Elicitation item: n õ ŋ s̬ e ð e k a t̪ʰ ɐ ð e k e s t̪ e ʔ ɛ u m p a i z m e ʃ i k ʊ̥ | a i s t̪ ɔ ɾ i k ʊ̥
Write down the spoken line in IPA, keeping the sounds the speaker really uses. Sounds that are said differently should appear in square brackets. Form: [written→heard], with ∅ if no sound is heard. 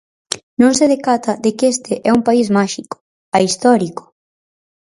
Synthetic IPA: n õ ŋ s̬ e ð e k a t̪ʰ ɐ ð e k e s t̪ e ʔ ɛ u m p a i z m [e→a] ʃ i k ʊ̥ | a i s t̪ ɔ ɾ i k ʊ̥